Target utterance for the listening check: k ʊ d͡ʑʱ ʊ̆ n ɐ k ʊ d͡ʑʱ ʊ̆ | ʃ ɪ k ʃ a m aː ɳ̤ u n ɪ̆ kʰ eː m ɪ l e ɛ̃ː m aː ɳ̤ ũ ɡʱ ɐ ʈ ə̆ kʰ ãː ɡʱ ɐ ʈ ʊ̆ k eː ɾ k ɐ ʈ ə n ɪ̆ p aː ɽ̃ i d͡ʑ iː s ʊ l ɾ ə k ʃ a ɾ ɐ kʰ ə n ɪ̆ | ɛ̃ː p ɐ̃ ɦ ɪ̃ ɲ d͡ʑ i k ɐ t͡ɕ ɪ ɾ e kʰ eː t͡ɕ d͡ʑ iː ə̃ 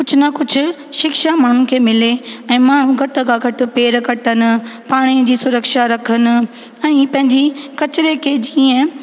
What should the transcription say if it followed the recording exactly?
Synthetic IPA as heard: k ʊ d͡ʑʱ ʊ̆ n ɐ k ʊ d͡ʑʱ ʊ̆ | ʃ ɪ k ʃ a m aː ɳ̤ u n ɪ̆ kʰ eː m ɪ l e ɛ̃ː m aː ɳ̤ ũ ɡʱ ɐ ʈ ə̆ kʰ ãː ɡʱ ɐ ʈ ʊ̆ p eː ɾ k ɐ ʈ ə n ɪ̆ p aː ɽ̃ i d͡ʑ iː s ʊ ɾ ə k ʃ a ɾ ɐ kʰ ə n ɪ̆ | ɛ̃ː p ɐ̃ ɦ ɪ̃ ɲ d͡ʑ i k ɐ t͡ɕ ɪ ɾ e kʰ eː d͡ʑ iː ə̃